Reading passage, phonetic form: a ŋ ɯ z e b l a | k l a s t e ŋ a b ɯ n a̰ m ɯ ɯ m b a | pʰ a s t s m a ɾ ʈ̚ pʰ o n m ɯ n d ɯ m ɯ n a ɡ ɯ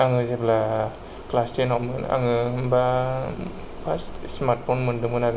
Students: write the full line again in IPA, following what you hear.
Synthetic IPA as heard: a ŋ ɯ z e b l a | k l a s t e n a m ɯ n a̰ ŋ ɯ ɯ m b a | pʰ a s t s m a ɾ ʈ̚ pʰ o n m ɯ n d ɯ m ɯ n a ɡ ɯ